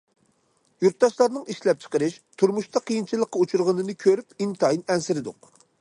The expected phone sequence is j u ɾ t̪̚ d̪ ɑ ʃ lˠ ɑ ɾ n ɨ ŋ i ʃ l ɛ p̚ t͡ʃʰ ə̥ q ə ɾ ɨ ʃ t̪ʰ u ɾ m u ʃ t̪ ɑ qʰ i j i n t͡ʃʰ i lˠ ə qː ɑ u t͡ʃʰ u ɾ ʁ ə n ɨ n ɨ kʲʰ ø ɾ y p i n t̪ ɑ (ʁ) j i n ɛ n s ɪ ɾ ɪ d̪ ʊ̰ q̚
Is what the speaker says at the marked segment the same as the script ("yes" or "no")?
no